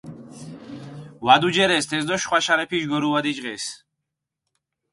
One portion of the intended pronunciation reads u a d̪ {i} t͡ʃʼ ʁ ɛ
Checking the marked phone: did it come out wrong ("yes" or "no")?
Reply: no